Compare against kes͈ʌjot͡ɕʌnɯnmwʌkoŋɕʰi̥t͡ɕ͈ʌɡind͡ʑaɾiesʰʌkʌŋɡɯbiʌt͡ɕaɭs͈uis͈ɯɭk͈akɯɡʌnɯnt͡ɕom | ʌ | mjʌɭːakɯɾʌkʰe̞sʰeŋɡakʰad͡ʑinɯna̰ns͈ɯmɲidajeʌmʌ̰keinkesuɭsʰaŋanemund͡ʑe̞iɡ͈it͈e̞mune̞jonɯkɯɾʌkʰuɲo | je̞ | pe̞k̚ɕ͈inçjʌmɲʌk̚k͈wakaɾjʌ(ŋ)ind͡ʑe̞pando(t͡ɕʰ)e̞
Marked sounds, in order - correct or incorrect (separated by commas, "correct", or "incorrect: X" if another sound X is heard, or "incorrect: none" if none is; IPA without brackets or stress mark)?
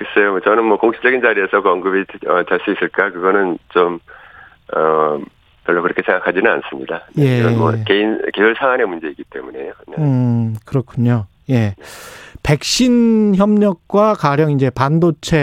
correct, correct